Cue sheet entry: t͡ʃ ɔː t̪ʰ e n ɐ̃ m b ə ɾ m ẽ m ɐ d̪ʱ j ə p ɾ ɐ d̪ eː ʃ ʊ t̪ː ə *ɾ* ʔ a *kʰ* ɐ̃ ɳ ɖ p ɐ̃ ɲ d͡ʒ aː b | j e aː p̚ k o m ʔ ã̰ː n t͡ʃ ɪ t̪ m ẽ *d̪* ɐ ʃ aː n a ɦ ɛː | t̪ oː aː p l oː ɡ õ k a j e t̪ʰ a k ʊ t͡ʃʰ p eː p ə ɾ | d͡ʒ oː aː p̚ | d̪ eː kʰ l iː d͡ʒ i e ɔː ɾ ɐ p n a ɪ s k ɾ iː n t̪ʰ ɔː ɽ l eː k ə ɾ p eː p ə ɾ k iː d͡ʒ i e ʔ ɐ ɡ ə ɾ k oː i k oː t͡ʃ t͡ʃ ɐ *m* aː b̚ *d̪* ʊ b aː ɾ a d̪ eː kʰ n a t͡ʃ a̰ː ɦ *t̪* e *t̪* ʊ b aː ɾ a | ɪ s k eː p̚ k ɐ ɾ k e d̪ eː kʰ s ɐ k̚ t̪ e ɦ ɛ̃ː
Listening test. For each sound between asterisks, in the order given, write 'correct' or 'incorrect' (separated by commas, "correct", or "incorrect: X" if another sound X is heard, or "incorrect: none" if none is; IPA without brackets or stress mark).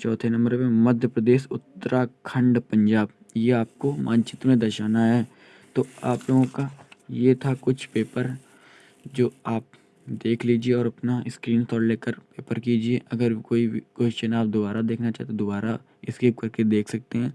correct, correct, correct, incorrect: n, correct, correct, incorrect: d̪